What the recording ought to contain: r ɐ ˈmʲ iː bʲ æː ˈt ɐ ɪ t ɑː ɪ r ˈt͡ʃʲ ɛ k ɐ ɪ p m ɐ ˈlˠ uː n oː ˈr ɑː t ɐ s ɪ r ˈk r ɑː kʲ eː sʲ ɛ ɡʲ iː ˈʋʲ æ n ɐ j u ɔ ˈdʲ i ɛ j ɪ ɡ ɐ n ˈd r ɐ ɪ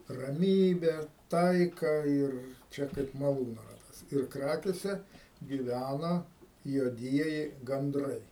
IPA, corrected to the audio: r ɐ ˈmʲ iː bʲ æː ˈt ɐ ɪ k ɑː ɪ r ˈt͡ʃʲ ɛ k ɐ ɪ p m ɐ ˈlˠ uː n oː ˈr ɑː t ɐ s ɪ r ˈk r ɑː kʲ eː sʲ ɛ ɡʲ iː ˈʋʲ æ n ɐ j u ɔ ˈdʲ i ɛ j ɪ ɡ ɐ n ˈd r ɐ ɪ